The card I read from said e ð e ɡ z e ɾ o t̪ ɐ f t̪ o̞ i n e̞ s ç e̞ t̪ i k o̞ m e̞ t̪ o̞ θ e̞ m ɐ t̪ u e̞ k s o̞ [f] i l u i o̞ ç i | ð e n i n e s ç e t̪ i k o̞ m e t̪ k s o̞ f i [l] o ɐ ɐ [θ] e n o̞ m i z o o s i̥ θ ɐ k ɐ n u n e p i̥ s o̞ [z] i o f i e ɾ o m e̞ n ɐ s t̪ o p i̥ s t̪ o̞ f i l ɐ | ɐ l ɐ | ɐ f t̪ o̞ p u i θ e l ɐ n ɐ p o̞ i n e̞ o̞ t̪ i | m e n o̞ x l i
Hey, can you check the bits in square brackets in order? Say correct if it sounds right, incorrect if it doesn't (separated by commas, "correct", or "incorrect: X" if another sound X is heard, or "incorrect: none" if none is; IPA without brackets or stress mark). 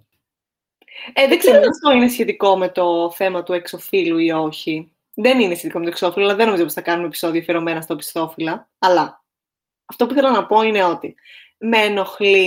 correct, correct, incorrect: ð, incorrect: ð